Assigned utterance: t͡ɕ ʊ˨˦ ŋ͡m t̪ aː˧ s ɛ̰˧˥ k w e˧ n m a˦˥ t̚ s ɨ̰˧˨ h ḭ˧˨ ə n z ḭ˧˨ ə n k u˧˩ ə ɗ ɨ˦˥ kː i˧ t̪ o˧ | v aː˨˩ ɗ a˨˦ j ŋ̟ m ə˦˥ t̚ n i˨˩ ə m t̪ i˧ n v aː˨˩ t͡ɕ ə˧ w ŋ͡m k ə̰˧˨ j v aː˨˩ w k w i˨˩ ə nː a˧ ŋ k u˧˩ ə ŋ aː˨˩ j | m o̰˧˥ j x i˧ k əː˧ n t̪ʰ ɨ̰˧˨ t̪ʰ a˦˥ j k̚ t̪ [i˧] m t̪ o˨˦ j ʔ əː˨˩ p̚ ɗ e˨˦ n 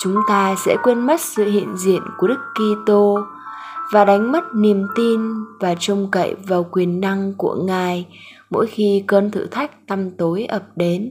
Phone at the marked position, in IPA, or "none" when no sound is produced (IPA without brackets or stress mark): a˧